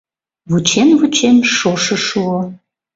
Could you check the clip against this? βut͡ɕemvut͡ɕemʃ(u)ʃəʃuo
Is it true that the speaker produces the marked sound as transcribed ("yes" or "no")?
no